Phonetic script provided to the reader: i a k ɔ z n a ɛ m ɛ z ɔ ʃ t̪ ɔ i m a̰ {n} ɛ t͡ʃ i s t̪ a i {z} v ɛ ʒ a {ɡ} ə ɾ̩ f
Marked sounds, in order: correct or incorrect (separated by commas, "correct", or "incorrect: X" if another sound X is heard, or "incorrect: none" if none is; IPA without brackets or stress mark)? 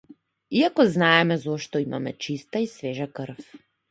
incorrect: m, incorrect: s, incorrect: k